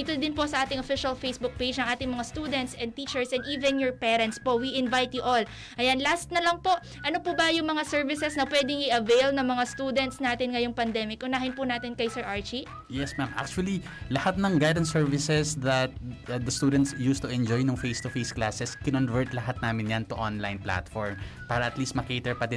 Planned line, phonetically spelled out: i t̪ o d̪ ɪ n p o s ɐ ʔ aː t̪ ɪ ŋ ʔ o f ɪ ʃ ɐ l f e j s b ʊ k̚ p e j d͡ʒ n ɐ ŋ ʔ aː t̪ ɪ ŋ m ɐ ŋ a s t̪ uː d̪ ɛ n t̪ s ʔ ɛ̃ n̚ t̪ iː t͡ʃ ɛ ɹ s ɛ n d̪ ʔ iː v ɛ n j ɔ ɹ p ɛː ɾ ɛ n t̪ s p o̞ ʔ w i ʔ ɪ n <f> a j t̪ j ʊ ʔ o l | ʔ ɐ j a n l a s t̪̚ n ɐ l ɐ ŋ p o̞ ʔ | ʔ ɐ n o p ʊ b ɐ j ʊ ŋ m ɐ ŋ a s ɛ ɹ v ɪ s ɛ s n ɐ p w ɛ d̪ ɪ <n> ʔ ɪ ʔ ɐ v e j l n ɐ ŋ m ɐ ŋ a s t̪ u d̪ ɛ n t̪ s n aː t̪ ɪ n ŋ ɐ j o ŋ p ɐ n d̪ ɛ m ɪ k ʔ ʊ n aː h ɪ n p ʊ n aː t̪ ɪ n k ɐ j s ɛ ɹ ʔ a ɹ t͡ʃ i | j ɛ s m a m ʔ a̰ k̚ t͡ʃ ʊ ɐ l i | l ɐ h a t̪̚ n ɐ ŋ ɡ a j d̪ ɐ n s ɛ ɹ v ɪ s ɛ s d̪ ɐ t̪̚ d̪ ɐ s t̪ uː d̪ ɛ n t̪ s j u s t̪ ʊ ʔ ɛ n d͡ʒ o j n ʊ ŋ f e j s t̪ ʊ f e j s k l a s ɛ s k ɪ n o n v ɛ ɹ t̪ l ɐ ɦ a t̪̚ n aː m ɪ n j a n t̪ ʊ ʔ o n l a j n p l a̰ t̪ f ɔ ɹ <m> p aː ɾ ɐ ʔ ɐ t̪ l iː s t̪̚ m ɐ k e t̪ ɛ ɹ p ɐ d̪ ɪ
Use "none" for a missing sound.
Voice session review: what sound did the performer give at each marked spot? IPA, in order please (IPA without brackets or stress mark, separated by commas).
v, ŋ, m